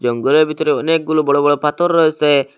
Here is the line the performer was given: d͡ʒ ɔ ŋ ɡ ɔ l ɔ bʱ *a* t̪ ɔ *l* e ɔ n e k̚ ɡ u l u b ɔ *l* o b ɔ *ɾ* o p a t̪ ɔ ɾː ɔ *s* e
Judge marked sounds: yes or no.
no, no, no, no, yes

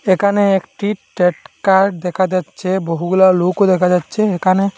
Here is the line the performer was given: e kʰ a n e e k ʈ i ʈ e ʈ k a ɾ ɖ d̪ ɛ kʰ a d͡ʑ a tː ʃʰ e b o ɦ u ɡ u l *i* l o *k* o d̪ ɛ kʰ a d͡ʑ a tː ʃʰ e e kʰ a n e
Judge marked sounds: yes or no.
no, yes

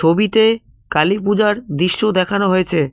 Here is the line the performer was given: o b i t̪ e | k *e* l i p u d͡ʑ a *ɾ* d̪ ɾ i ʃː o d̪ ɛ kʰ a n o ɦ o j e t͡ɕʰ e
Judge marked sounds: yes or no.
no, yes

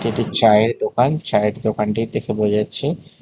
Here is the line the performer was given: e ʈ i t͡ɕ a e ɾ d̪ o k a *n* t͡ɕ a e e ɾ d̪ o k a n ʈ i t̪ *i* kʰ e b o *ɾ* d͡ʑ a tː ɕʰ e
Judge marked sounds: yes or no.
yes, no, no

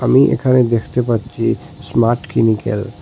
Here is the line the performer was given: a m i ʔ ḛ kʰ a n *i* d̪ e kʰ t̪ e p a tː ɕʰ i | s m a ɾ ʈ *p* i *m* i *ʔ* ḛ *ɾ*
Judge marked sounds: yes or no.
no, no, yes, no, no

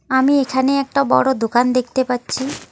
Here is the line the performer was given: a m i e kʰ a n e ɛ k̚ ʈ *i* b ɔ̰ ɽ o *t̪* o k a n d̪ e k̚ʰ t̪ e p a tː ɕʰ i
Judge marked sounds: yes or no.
no, no

